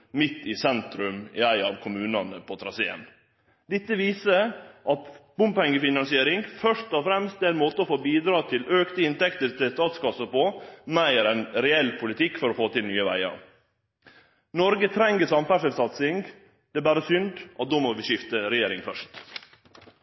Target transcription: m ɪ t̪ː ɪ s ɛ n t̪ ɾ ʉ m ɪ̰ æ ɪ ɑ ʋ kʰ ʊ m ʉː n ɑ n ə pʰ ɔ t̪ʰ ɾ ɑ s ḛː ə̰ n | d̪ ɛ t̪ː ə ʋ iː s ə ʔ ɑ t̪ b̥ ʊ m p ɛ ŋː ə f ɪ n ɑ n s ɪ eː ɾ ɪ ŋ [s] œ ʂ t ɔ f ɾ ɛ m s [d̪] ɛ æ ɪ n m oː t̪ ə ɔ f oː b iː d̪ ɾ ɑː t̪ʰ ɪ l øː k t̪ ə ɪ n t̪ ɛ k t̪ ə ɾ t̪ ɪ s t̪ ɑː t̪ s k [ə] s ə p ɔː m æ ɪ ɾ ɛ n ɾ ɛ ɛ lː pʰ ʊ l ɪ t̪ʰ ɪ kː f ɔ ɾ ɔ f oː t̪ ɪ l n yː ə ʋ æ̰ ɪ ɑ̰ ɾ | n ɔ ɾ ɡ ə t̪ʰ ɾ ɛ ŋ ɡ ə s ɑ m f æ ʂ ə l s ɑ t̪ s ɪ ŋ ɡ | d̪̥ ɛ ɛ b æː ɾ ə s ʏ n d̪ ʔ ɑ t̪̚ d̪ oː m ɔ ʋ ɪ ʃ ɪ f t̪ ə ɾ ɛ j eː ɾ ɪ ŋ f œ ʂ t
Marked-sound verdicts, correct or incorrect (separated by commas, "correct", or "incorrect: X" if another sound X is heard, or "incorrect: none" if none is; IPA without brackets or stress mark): incorrect: f, incorrect: t̪, incorrect: ɑ